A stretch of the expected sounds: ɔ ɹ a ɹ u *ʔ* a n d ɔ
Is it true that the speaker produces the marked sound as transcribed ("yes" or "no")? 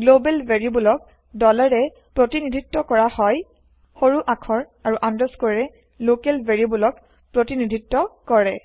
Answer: yes